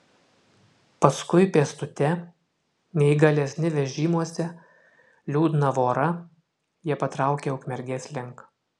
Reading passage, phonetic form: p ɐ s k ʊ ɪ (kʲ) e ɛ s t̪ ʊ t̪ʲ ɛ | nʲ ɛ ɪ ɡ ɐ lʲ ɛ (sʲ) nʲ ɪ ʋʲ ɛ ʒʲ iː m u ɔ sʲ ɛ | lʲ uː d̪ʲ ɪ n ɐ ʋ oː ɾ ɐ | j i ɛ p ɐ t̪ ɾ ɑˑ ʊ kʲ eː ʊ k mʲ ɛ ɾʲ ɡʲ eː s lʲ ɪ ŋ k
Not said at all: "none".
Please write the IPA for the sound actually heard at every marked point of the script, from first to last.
pʲ, sʲ

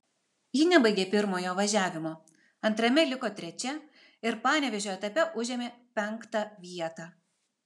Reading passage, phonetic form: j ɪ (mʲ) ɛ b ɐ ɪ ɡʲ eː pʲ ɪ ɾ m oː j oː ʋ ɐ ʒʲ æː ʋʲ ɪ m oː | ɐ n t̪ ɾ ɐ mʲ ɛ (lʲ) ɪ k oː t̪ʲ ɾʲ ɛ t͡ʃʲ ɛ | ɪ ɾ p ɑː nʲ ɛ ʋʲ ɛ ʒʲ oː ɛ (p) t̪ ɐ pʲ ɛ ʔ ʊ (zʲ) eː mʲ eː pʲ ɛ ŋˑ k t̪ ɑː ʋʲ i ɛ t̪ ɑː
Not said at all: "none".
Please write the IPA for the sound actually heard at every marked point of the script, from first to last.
nʲ, lʲ, none, ʒʲ

